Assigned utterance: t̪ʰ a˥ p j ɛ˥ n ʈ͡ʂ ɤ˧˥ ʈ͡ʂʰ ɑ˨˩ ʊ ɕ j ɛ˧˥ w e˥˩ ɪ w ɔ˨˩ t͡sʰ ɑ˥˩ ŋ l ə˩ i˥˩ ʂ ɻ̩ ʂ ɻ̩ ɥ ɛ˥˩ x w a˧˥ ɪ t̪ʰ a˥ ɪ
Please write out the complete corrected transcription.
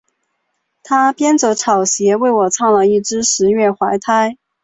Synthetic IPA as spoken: t̪ʰ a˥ p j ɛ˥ n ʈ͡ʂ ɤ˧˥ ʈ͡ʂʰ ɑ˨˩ ʊ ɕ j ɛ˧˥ w e˥˩ ɪ w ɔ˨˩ t͡sʰ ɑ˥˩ ŋ l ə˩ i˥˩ ʈ͡ʂ ɻ̩ ʂ ɻ̩ ɥ ɛ˥˩ x w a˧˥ ɪ t̪ʰ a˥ ɪ